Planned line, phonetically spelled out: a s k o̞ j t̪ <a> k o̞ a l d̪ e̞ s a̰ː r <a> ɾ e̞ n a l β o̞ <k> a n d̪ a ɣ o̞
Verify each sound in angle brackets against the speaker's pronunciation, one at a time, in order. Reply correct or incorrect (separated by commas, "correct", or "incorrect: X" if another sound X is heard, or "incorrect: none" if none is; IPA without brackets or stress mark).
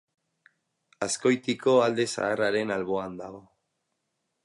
incorrect: i, correct, incorrect: none